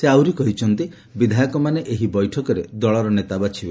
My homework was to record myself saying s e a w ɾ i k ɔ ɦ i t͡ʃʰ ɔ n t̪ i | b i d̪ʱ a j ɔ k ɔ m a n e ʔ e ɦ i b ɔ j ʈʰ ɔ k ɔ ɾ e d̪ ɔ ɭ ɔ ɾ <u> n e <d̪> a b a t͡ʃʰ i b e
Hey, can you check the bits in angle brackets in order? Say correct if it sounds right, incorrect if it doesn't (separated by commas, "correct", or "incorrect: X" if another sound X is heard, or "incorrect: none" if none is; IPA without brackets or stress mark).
incorrect: ɔ, incorrect: t̪